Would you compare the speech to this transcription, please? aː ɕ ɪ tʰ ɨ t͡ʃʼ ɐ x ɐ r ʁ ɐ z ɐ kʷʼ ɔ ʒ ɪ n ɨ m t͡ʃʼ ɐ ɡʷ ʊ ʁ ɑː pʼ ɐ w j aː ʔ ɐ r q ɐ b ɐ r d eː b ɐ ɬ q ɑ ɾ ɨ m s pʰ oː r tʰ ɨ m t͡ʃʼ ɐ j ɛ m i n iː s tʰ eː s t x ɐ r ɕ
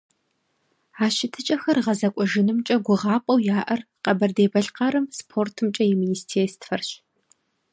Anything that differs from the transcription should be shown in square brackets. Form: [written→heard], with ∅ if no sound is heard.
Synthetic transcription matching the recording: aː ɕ ɪ tʰ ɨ t͡ʃʼ ɐ x ɐ r ʁ ɐ z ɐ kʷʼ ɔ ʒ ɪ n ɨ m t͡ʃʼ ɐ ɡʷ ʊ ʁ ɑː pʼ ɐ w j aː ʔ ɐ r q ɐ b ɐ r d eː b ɐ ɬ q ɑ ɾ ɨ m s pʰ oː r tʰ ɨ m t͡ʃʼ ɐ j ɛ m i n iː s tʰ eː s t [x→f] ɐ r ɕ